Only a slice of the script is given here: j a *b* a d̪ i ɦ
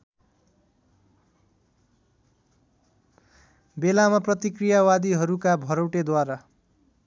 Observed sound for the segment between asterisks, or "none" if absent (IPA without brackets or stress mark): w